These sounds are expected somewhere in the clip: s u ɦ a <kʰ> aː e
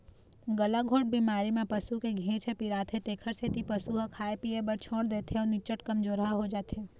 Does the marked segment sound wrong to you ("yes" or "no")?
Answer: no